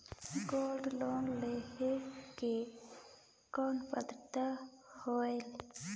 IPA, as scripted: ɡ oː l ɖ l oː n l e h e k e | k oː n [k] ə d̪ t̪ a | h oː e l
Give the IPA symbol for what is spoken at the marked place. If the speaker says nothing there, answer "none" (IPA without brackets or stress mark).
p